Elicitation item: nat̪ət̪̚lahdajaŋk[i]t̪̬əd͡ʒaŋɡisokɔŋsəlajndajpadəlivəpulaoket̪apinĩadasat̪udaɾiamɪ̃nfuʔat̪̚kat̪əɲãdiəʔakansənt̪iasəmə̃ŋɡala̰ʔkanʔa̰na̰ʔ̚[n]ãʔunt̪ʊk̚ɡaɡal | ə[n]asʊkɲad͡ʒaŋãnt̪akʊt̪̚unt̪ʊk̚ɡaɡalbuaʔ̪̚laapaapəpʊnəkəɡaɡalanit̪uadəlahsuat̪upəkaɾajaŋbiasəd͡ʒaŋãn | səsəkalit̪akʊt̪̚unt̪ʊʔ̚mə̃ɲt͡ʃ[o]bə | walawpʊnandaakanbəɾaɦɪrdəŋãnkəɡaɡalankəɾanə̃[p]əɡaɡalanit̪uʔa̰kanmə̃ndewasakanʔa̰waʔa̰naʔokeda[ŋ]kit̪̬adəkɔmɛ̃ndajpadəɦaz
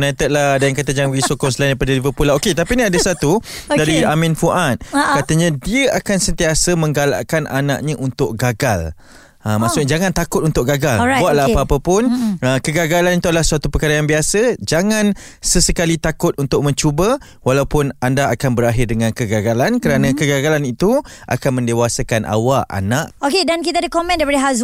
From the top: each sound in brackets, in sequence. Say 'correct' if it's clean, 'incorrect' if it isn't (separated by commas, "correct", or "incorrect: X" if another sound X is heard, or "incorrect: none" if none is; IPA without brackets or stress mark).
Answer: incorrect: a, incorrect: ɲ, incorrect: m, incorrect: u, incorrect: k, incorrect: n